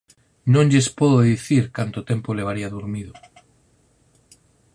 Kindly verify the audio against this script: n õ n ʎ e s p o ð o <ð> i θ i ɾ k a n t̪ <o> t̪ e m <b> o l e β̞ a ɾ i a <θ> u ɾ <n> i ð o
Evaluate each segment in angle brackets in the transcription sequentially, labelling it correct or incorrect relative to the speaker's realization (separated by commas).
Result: correct, correct, incorrect, incorrect, incorrect